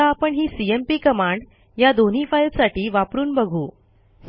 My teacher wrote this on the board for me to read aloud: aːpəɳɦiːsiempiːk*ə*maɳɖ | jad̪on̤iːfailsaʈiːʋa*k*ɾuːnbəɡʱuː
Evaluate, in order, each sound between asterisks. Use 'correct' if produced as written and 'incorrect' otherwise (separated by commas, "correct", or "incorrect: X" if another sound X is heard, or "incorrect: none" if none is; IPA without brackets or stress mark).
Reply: correct, incorrect: p